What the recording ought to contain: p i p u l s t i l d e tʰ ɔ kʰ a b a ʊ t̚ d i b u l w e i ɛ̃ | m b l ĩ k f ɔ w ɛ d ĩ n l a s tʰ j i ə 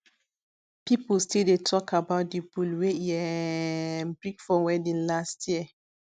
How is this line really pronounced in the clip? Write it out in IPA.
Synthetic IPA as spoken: p i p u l s t i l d e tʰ ɔ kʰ a b a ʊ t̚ d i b u l w e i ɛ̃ | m b ɹ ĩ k f ɔ w ɛ d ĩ n l a s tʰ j i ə